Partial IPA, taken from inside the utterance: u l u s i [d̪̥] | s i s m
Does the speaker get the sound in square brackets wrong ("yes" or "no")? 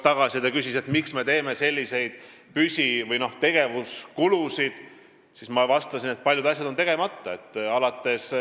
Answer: no